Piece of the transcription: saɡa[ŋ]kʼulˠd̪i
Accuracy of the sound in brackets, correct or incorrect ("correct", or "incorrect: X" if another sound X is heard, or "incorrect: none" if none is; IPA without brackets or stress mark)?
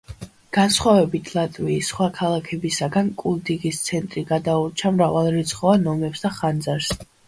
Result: incorrect: n